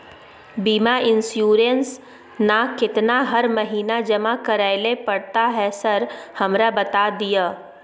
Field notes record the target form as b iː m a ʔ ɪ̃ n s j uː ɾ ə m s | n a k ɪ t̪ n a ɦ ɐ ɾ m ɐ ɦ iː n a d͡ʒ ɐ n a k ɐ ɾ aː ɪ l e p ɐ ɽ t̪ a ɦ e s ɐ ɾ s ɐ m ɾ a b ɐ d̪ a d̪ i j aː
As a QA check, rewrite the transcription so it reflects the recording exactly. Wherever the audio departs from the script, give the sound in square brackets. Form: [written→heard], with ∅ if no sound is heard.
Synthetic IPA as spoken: b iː m a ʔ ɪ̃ n s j uː ɾ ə [m→n] s | n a k ɪ t̪ n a ɦ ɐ ɾ m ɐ ɦ iː n a d͡ʒ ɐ [n→m] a k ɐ ɾ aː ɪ l e p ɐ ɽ t̪ a ɦ [e→ɛ] s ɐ ɾ [s→h] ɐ m ɾ a b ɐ [d̪→t̪] a d̪ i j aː